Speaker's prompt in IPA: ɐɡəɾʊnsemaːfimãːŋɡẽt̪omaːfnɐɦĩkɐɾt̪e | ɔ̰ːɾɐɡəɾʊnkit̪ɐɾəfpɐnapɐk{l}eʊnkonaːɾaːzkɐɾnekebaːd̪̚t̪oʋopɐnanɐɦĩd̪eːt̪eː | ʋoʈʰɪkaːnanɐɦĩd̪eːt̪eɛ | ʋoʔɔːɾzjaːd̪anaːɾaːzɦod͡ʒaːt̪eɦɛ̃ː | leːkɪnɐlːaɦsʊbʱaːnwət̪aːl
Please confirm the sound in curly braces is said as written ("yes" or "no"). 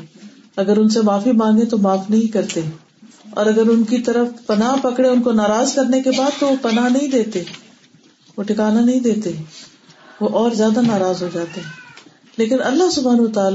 no